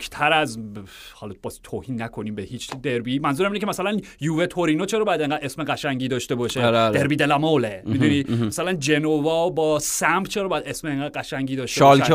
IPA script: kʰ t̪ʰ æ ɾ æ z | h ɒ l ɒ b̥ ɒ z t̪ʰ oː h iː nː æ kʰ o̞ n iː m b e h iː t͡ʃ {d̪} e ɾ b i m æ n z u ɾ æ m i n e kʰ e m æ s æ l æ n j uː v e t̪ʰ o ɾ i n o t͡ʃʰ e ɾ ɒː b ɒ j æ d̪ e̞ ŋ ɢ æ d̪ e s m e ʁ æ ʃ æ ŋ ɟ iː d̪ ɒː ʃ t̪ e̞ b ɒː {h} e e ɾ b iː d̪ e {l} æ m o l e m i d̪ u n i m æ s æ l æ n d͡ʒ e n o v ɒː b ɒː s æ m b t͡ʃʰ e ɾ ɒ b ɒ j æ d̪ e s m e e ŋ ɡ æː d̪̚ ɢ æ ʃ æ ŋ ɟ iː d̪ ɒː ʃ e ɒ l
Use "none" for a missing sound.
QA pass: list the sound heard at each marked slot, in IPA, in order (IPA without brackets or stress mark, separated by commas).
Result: d̪, ʃ, l